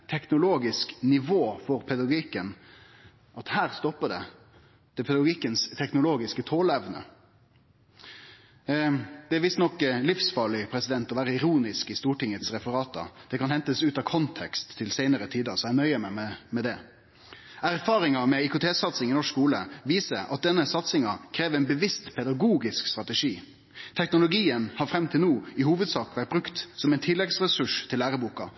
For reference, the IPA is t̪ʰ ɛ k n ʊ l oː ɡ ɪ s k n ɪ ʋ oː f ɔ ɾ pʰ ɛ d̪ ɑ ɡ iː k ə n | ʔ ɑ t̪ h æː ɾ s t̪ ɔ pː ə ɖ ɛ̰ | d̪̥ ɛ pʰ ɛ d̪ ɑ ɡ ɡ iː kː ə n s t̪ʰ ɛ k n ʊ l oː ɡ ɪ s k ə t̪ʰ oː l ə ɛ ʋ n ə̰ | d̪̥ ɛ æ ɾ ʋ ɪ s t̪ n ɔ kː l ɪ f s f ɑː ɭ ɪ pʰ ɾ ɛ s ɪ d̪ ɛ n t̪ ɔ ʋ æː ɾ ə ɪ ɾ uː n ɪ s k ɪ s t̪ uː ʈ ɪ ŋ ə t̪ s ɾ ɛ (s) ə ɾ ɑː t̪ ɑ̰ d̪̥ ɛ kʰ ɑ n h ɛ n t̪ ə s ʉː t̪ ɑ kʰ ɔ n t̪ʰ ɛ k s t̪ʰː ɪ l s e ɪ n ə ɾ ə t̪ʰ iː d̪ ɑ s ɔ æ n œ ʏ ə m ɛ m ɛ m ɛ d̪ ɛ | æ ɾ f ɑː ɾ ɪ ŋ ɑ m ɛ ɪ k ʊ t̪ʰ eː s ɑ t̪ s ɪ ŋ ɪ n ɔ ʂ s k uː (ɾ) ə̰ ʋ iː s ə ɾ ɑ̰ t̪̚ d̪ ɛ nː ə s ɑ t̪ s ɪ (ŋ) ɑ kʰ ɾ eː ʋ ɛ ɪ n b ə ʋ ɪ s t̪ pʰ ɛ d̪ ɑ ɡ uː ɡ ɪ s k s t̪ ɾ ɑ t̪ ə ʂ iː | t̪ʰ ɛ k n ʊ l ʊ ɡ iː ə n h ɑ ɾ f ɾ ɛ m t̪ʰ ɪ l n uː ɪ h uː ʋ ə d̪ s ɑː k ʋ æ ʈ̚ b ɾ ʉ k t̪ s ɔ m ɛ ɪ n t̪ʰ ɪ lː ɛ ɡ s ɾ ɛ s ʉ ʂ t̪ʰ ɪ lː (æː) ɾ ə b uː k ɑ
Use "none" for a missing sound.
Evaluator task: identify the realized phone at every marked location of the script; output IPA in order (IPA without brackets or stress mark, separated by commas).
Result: f, l, ŋ, æː